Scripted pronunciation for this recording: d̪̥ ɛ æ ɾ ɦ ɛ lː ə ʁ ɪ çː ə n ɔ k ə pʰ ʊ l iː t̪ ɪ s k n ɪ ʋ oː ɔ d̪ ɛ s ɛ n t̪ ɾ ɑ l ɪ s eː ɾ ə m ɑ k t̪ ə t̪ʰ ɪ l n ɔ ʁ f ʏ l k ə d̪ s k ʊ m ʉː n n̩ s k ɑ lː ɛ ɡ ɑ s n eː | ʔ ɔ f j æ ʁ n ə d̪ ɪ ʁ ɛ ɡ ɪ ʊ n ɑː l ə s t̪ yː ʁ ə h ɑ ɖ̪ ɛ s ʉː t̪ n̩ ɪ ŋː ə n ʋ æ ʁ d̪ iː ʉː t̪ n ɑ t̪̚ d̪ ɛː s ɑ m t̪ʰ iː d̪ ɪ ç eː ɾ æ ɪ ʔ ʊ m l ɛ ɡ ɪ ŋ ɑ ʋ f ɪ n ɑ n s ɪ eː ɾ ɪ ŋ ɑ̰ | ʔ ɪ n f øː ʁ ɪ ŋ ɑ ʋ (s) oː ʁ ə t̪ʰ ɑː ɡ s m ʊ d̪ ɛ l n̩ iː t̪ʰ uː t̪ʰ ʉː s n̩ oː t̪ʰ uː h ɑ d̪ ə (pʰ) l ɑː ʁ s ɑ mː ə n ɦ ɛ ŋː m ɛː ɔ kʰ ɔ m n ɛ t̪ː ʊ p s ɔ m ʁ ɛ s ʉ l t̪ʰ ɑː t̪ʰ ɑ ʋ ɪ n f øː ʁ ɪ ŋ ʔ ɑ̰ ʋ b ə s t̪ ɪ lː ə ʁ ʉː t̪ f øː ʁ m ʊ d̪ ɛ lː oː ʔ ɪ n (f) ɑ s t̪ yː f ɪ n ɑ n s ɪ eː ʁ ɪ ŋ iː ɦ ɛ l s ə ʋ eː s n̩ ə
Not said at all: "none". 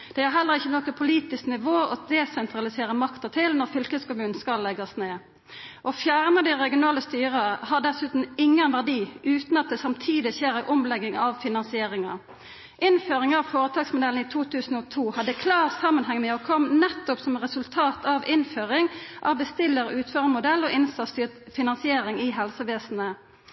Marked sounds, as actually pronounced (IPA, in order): f, kʰ, s

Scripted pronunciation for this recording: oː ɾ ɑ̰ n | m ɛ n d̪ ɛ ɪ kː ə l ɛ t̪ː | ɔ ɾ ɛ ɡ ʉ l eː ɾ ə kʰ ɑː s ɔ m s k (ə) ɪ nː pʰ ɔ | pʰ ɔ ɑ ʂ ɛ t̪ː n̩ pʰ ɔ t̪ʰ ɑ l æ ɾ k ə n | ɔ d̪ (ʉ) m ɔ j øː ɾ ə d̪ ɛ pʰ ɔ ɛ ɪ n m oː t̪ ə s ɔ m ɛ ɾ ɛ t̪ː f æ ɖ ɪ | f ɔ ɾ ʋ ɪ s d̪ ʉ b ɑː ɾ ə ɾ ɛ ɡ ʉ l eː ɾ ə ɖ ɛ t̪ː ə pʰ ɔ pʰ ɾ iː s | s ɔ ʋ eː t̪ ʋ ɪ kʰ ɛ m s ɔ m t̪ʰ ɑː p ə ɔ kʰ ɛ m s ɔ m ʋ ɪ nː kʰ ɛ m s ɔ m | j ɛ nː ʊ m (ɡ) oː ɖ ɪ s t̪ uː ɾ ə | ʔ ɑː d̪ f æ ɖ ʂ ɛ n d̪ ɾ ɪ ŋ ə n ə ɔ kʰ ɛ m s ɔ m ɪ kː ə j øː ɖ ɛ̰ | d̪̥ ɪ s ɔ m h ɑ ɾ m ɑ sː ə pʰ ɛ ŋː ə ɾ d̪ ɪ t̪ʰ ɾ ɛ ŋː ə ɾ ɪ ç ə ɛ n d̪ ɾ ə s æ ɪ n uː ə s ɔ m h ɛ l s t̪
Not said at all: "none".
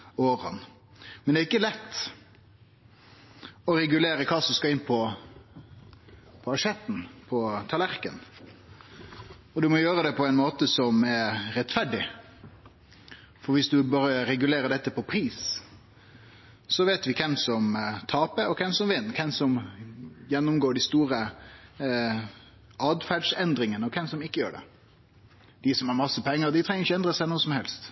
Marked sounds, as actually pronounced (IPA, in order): ɑ, ʉ, ɡ

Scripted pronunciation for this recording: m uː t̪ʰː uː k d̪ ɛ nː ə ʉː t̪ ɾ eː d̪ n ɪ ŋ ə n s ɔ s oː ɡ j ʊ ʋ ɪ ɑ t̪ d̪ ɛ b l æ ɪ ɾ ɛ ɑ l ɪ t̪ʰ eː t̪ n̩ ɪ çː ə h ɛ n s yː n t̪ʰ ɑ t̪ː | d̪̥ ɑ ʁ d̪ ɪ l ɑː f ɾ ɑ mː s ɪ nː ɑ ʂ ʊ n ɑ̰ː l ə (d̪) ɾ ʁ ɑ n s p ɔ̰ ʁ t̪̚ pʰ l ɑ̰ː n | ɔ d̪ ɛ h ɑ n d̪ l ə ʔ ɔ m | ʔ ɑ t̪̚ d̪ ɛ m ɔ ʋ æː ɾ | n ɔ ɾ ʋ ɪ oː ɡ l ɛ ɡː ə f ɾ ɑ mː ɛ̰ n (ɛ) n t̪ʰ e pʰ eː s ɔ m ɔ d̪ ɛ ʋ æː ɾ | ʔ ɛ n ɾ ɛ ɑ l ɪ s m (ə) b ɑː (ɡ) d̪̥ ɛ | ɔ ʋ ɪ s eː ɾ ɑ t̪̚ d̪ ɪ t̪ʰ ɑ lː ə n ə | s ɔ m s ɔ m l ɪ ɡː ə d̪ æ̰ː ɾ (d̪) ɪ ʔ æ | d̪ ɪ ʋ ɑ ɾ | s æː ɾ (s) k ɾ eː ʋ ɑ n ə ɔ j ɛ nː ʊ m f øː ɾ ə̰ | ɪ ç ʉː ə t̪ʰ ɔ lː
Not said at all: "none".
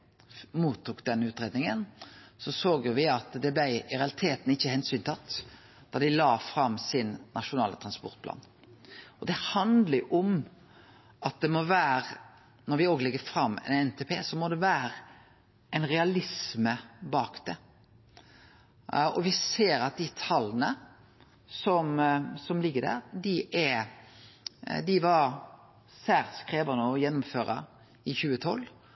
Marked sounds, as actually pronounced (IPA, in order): t̪, ɛ, ə, k, d̪, s

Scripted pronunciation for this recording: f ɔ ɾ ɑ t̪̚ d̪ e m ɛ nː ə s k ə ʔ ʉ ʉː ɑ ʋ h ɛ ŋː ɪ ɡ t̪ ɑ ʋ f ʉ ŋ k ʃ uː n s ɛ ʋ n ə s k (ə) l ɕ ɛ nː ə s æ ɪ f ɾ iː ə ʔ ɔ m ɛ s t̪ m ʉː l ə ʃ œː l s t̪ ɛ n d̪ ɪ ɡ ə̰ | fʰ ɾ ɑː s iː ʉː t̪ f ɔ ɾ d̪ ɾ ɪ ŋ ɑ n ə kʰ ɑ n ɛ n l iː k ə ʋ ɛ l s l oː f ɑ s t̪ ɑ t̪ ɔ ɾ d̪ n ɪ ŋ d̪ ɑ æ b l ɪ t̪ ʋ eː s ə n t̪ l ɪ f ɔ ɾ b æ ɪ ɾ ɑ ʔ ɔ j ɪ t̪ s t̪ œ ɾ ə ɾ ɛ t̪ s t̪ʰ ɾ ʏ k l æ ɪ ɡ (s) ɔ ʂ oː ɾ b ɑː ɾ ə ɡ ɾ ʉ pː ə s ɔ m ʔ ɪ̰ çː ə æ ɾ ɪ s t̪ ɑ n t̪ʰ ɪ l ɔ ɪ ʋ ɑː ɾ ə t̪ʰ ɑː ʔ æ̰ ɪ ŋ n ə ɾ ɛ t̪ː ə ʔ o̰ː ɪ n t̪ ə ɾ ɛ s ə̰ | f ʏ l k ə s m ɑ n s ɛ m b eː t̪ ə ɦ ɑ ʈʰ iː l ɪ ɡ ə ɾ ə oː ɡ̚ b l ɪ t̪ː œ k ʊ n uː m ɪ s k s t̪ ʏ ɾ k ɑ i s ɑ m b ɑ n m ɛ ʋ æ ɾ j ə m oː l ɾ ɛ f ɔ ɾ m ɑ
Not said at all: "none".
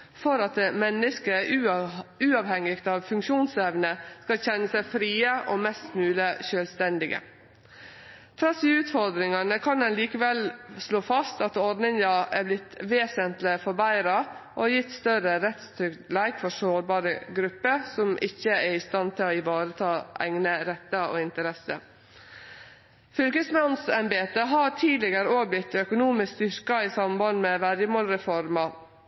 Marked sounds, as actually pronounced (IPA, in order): ɑ, f

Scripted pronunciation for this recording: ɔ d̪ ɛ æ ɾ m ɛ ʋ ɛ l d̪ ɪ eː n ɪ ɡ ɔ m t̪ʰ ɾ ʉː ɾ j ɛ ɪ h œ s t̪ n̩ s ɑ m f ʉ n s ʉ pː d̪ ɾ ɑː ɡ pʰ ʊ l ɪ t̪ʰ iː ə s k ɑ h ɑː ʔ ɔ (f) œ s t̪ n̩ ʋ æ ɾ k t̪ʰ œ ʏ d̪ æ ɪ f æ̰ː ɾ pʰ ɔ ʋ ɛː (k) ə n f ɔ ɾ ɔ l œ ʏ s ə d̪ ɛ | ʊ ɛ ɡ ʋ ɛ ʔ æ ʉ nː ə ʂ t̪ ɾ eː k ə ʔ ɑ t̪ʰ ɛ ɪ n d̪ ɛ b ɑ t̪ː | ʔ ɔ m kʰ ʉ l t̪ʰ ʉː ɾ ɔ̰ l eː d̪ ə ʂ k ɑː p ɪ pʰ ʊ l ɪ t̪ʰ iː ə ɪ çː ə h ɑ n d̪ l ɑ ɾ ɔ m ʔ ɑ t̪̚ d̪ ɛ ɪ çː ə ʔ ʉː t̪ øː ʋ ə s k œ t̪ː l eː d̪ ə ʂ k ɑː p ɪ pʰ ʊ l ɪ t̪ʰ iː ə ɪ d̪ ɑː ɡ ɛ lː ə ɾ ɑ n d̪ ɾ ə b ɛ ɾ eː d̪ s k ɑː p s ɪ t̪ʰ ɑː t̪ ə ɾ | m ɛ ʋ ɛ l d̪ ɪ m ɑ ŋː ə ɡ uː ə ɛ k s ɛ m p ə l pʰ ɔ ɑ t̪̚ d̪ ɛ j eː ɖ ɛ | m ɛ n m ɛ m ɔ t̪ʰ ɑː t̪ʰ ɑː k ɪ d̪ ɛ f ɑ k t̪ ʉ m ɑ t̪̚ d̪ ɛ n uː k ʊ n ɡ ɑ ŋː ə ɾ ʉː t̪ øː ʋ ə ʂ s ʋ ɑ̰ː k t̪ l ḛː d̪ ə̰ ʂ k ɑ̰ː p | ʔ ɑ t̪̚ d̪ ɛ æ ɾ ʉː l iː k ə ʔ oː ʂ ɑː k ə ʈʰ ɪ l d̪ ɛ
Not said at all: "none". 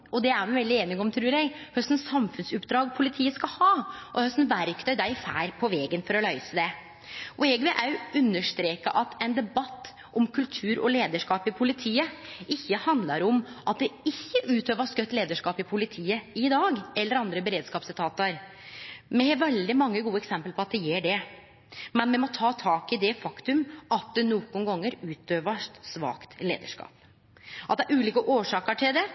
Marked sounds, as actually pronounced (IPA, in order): h, ɡ

